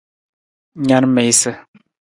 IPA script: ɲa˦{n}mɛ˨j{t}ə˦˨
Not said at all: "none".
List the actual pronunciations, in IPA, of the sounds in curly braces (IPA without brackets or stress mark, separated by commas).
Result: n, s